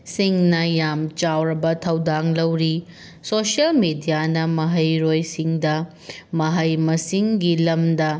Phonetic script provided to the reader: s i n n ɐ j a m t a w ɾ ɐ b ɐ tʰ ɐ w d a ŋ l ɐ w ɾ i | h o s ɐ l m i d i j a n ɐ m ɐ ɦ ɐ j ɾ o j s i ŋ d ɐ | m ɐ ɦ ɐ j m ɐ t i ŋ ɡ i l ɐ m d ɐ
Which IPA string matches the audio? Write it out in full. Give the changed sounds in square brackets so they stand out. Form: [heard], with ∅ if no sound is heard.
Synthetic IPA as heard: s i [ŋ] n ɐ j a m [t͡ʃ] a w ɾ ɐ b ɐ tʰ ɐ w d a ŋ l ɐ w ɾ i | [s] o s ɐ l m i d i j a n ɐ m ɐ ɦ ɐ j ɾ o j s i ŋ d ɐ | m ɐ ɦ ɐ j m ɐ [s] i ŋ ɡ i l ɐ m d ɐ